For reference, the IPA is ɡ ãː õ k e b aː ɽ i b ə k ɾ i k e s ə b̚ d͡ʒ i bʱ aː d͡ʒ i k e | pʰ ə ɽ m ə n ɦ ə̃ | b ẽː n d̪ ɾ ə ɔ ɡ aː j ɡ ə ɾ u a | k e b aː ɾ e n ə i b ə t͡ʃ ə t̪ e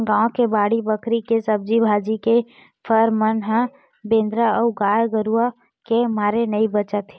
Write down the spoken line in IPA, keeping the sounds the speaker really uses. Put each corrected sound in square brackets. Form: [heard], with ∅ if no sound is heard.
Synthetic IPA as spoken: ɡ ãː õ k e b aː ɽ i b ə k ɾ i k e s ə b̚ d͡ʒ i bʱ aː d͡ʒ i k e | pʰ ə [ɾ] m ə n ɦ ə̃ | b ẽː n d̪ ɾ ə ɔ ɡ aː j ɡ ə ɾ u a | k e [m] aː ɾ e n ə i b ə t͡ʃ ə t̪ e